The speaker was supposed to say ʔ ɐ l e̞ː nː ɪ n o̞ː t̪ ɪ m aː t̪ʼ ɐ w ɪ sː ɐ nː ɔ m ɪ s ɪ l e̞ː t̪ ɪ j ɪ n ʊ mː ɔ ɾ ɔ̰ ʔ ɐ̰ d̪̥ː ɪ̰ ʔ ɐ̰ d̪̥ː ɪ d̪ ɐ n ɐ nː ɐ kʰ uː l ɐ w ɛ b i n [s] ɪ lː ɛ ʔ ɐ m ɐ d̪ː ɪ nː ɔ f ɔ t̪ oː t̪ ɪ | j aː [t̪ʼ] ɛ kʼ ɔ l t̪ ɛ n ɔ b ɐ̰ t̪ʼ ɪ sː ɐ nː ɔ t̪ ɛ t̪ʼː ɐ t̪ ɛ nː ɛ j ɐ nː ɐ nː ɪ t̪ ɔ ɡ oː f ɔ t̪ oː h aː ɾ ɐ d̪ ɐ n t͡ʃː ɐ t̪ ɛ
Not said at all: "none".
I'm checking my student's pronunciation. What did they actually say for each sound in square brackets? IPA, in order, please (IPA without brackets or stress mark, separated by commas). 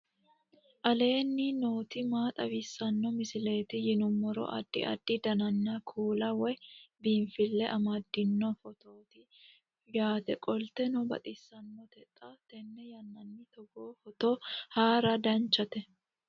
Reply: f, t̪